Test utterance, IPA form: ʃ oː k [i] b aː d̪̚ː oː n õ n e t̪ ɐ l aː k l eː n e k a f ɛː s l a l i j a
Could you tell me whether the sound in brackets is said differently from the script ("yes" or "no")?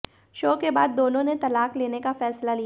yes